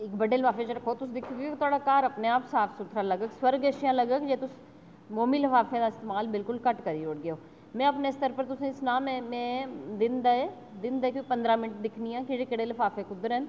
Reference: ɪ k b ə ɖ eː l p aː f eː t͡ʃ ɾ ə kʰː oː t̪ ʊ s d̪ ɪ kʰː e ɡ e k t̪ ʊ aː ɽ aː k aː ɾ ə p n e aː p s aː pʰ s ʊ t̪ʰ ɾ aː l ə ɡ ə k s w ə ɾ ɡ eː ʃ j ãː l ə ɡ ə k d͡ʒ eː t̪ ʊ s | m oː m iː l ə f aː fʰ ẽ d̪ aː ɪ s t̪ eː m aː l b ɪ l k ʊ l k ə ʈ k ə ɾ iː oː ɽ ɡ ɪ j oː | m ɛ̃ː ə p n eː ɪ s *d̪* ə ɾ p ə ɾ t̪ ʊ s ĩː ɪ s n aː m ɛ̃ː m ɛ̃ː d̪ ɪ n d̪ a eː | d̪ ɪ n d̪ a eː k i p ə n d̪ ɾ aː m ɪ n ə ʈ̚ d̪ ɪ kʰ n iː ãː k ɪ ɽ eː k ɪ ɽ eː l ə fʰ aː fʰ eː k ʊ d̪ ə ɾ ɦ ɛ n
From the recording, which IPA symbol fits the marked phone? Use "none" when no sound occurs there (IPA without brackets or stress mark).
t̪